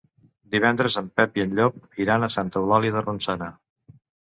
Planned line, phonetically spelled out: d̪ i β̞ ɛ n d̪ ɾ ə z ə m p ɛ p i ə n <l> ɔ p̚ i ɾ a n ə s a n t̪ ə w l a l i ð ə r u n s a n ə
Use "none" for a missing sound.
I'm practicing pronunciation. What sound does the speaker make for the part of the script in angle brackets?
ʎ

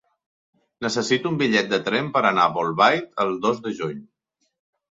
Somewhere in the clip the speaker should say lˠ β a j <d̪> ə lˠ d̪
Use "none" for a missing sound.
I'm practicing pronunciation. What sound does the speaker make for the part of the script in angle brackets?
t̪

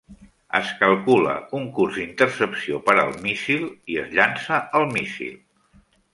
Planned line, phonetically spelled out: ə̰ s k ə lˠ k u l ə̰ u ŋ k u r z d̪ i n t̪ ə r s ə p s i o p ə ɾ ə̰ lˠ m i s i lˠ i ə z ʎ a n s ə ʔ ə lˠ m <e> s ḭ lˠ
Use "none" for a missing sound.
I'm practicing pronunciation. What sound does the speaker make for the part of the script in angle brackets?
i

